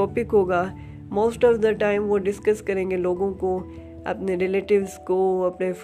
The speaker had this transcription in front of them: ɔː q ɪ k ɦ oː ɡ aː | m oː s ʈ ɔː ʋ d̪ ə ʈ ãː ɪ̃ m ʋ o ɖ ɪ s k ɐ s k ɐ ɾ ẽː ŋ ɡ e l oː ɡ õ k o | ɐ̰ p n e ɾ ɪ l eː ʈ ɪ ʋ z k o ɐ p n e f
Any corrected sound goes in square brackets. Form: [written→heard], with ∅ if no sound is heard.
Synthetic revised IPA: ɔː [q→p] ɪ k ɦ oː ɡ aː | m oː s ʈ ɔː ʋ d̪ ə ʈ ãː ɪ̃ m ʋ o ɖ ɪ s k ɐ s k ɐ ɾ ẽː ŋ ɡ e l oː ɡ õ k o | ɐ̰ p n e ɾ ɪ l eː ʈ ɪ ʋ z k o ɐ p n e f